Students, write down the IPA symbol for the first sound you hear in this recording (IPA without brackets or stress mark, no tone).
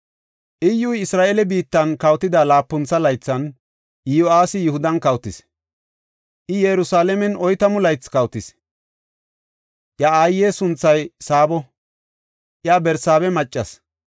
ʔ